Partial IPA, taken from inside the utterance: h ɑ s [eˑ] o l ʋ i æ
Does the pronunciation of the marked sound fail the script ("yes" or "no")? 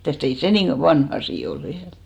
yes